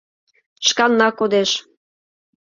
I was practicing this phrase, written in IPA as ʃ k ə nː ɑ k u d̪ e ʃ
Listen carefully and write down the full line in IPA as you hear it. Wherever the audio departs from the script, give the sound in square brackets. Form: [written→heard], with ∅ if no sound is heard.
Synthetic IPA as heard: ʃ k [ə→ɑ] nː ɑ k [u→o] d̪ e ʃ